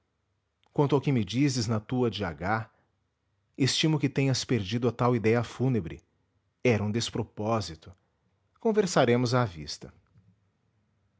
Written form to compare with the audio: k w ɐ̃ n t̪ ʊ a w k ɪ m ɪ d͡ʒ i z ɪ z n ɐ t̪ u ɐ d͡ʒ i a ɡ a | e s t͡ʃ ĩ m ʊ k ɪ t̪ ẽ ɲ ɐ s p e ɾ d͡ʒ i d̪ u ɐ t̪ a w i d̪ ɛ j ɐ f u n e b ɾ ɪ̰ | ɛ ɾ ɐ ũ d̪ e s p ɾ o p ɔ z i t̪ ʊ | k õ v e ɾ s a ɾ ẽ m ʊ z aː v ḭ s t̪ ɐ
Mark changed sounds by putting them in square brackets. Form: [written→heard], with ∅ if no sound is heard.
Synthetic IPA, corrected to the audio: k w ɐ̃ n t̪ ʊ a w k ɪ m ɪ d͡ʒ i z ɪ z n ɐ t̪ u ɐ d͡ʒ i a ɡ a | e s t͡ʃ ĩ m ʊ k ɪ t̪ ẽ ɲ ɐ s p e ɾ d͡ʒ i d̪ [u→ʊ] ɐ t̪ a w i d̪ ɛ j ɐ f u n e b ɾ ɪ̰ | ɛ ɾ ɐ ũ d̪ e s p ɾ o p ɔ z i t̪ ʊ | k õ v e ɾ s a ɾ ẽ m ʊ z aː v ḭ s t̪ ɐ